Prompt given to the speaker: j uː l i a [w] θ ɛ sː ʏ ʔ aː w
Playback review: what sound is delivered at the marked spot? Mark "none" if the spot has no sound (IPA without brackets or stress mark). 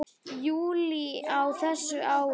w